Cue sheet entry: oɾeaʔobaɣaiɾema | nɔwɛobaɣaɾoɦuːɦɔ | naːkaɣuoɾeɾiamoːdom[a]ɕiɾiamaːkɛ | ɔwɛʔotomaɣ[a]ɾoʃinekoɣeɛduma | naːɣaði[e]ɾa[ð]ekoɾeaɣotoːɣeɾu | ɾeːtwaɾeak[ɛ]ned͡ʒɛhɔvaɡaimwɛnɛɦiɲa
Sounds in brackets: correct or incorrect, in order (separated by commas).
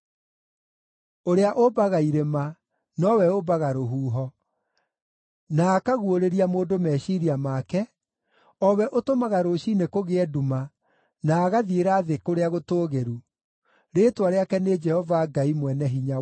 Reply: incorrect, correct, correct, correct, correct